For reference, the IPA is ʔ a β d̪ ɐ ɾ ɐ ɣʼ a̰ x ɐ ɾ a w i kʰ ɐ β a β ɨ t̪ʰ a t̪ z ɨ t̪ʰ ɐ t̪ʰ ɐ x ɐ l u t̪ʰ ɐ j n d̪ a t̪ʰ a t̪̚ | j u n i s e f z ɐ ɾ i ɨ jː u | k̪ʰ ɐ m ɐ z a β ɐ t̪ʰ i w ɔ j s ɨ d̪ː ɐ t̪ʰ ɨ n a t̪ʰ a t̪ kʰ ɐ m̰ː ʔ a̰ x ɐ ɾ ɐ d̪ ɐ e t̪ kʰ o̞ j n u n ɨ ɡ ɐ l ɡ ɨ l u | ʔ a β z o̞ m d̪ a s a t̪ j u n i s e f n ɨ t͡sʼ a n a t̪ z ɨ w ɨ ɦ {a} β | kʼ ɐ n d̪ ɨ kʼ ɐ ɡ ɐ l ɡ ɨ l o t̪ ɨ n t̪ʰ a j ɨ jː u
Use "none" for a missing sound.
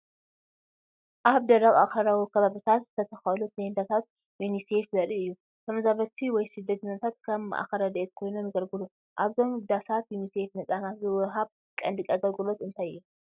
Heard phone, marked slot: a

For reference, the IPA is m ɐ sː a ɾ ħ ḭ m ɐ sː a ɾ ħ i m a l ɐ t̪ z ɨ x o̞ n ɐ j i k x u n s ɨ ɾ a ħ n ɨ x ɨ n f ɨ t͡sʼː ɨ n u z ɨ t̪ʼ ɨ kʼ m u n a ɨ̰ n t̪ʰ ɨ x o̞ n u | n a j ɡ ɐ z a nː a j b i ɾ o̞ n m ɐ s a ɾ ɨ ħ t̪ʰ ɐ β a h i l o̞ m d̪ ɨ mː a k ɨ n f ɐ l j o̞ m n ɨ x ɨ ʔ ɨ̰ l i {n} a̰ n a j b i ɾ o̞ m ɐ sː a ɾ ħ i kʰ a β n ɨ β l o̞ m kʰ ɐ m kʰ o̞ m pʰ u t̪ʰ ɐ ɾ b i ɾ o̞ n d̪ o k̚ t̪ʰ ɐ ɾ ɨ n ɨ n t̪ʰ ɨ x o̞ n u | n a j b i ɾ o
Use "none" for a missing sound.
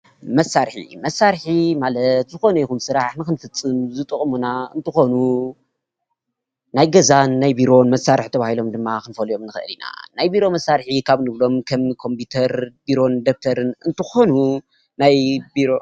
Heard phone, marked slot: n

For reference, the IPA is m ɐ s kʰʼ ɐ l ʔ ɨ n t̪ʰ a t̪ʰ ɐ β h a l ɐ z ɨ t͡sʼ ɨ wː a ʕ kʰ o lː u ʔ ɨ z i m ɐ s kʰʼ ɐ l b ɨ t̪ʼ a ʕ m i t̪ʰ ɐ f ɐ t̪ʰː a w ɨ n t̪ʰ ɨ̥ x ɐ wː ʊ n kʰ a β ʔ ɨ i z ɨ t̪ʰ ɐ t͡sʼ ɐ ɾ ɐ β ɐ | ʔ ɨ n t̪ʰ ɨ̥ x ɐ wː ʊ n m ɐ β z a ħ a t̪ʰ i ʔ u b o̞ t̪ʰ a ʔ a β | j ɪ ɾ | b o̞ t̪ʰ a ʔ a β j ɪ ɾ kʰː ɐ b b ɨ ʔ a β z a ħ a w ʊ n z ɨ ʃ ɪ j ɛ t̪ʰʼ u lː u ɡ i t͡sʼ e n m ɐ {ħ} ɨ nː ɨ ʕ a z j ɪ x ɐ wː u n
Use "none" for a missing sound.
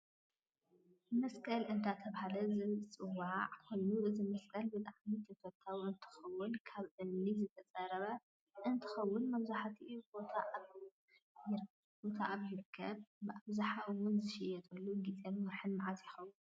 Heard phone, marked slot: ħ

